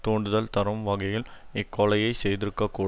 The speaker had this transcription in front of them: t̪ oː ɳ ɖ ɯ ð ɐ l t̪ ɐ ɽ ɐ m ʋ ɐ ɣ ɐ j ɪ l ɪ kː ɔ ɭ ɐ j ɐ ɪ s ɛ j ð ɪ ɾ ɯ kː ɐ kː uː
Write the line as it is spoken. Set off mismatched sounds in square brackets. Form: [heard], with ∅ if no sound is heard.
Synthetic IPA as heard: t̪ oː ɳ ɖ ɯ ð ɐ l t̪ ɐ [ɾ] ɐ m ʋ ɐ ɣ ɐ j ɪ l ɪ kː ɔ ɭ ɐ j ɐ ɪ s ɛ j ð ɪ ɾ ɯ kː ɐ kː uː

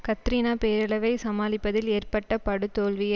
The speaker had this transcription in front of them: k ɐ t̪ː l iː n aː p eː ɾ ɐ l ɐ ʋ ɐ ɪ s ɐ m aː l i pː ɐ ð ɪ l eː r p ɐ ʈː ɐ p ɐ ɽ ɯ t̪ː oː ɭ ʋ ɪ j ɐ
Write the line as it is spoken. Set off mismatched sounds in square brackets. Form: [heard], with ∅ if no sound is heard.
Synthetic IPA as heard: k ɐ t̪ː [ɾ] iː n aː p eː ɾ ɐ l ɐ ʋ ɐ ɪ s ɐ m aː l [ɪ] pː ɐ ð ɪ l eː r p ɐ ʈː ɐ p ɐ ɽ ɯ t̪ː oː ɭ ʋ ɪ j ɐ

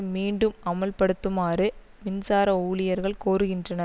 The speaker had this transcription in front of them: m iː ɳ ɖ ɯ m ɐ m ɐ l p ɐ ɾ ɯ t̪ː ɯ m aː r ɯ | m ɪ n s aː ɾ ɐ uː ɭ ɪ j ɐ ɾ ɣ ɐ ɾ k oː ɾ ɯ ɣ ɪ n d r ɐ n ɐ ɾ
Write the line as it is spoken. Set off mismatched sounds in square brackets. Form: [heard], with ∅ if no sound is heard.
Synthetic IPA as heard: m iː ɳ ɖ ɯ m ɐ m ɐ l p ɐ [ɽ] ɯ t̪ː ɯ m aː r ɯ | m ɪ n s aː ɾ ɐ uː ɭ ɪ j ɐ ɾ ɣ ɐ [ɭ] k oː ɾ ɯ ɣ ɪ n d r ɐ n ɐ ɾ

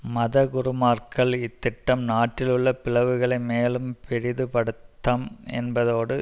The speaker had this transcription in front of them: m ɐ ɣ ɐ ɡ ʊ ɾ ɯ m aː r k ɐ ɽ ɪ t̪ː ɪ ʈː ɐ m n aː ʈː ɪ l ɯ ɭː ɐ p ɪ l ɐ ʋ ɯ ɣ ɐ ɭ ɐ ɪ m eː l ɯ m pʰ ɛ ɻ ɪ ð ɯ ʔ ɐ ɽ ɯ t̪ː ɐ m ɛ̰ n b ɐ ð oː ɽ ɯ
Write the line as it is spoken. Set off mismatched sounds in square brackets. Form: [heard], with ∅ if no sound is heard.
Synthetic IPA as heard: m ɐ [ð] ɐ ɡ ʊ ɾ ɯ m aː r k ɐ [ɭ] ɪ t̪ː ɪ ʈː ɐ m n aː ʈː ɪ l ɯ ɭː ɐ p ɪ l ɐ ʋ ɯ ɣ ɐ ɭ ɐ ɪ m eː l ɯ m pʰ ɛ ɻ ɪ ð ɯ [p] ɐ ɽ ɯ t̪ː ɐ m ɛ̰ n b ɐ ð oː ɽ ɯ

